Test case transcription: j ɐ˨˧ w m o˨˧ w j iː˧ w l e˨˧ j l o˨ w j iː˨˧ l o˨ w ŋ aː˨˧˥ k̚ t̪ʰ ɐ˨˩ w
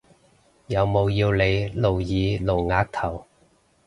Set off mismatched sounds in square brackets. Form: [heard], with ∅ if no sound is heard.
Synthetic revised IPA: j ɐ˨˧ w m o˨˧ w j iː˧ w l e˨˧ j l o˨ w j iː˨˧ l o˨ w ŋ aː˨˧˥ k̚ t̪ʰ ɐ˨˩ w